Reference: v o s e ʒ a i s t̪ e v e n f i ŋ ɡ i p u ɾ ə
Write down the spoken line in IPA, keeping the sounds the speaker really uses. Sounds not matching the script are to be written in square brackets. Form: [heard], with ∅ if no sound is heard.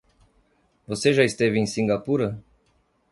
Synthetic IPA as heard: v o s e ʒ a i s t̪ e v [i] n [s] i ŋ ɡ [a] p u ɾ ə